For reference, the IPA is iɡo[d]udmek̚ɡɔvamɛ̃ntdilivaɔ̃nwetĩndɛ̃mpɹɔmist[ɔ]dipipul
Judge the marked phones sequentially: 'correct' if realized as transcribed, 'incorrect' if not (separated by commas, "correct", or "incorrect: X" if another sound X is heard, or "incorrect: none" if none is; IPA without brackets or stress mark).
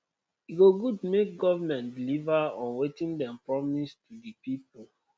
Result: incorrect: ɡ, incorrect: u